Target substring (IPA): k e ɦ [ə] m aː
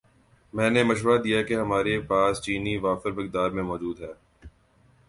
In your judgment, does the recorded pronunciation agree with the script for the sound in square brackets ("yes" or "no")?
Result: no